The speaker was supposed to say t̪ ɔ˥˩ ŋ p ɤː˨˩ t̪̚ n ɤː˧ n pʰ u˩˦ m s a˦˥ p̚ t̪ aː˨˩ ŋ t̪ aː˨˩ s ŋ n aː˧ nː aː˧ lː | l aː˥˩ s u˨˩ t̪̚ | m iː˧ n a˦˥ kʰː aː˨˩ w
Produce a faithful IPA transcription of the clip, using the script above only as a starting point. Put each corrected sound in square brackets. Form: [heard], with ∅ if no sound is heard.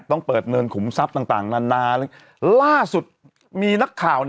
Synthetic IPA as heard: t̪ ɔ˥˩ ŋ p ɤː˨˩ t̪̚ n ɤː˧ n [kʰ] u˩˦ m s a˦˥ p̚ t̪ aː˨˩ ŋ t̪ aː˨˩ [∅] ŋ n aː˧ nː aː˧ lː | l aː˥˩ s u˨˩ t̪̚ | m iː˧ n a˦˥ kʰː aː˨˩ w